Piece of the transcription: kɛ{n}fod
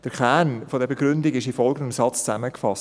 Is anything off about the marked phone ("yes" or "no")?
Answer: no